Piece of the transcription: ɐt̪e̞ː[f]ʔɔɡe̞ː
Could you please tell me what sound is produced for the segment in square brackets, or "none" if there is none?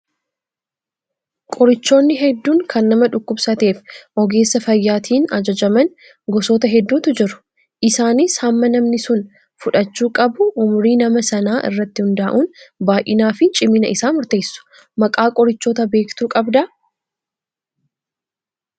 f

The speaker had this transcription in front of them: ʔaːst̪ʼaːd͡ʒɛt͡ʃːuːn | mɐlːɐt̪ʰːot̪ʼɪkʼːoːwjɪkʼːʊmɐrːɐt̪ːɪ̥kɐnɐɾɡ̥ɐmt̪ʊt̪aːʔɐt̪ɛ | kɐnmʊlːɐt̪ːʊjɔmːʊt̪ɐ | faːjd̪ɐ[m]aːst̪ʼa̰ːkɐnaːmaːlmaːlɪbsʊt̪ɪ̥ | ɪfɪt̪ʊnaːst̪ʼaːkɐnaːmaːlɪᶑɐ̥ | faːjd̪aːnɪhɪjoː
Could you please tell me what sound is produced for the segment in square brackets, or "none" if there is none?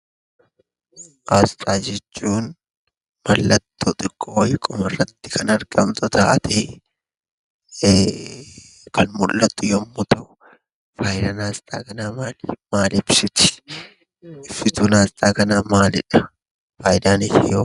n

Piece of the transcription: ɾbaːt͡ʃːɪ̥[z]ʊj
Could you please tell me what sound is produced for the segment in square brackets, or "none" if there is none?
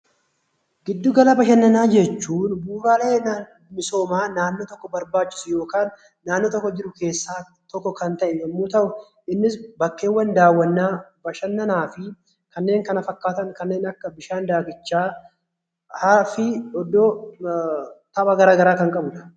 s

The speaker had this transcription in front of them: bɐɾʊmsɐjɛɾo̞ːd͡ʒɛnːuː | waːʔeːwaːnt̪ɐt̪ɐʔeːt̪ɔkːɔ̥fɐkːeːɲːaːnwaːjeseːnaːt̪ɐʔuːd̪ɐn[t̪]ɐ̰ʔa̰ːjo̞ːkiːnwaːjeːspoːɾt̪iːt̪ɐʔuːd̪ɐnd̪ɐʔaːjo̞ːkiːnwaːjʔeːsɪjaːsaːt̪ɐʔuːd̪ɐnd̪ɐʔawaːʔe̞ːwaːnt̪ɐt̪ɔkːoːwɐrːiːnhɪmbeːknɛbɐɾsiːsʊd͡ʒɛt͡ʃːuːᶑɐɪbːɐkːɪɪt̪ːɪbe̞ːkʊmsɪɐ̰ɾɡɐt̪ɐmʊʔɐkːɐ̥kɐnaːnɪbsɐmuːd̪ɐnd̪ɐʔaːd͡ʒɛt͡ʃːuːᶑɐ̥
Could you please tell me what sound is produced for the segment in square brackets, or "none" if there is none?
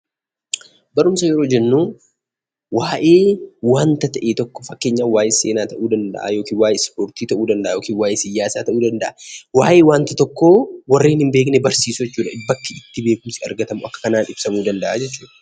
d̪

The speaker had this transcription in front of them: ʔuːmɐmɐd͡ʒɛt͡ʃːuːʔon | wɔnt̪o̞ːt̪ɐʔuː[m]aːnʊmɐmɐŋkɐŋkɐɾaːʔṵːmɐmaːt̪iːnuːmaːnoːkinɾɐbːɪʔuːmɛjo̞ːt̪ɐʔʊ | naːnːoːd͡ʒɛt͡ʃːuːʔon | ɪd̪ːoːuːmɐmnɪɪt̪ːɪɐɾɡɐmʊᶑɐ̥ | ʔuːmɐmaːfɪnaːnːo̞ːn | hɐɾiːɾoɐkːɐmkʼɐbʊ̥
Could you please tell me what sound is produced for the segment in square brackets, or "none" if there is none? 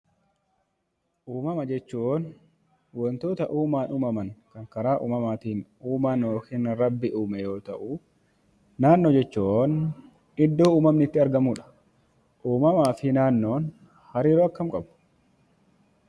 m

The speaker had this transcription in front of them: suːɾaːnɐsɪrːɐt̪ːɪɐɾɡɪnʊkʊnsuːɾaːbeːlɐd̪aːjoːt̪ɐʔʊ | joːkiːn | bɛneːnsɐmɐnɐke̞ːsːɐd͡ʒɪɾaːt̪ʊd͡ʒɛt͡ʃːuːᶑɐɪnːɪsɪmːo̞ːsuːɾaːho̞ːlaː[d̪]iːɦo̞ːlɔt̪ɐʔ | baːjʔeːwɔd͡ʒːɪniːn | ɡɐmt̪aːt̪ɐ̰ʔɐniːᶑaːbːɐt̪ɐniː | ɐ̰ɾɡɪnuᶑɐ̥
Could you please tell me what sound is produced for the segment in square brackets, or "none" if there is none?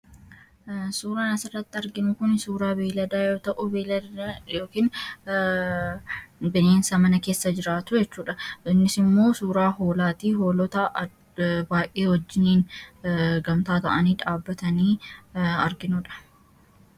t̪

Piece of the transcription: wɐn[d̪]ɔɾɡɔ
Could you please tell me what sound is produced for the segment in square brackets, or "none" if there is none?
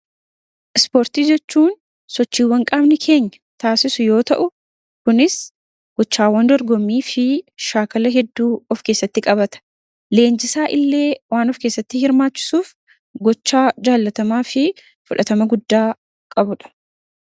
d̪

